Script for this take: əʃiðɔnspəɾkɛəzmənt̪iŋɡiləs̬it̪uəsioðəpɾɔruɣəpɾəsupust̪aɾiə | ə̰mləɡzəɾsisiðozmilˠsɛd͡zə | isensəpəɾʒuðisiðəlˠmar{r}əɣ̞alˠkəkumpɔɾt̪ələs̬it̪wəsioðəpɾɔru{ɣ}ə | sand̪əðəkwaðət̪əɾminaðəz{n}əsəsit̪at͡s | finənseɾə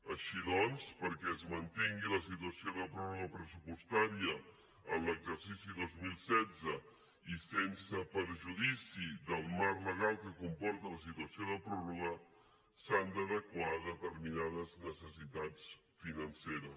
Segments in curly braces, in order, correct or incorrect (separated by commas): incorrect, correct, correct